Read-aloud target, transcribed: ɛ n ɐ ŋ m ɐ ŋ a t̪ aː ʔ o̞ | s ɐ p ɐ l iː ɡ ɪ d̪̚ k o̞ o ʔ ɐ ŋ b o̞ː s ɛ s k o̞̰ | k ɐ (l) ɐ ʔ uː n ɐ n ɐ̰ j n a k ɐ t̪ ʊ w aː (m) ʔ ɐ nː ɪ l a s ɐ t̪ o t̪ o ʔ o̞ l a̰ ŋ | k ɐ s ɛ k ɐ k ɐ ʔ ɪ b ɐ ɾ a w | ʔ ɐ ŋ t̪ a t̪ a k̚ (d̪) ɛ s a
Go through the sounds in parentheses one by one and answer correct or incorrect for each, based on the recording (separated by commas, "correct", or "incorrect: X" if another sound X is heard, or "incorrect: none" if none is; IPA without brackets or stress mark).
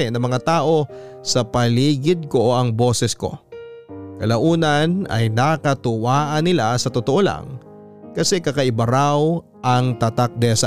correct, incorrect: none, correct